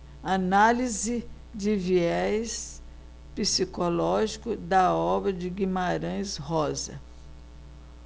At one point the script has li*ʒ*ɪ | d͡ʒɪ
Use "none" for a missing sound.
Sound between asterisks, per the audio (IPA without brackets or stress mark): z